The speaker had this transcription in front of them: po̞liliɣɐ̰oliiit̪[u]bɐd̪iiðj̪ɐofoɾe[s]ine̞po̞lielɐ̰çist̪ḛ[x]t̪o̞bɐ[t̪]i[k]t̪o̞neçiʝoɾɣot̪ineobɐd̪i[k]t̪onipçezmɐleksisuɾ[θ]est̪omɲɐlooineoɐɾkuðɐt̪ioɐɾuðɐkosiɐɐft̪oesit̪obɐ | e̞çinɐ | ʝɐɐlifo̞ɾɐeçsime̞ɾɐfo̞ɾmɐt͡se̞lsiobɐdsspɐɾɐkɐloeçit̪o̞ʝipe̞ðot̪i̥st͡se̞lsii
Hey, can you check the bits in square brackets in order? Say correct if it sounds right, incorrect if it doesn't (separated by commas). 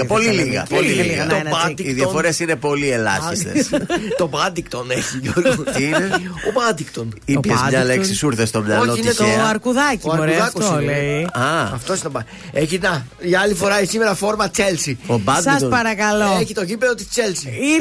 incorrect, correct, incorrect, incorrect, correct, correct, correct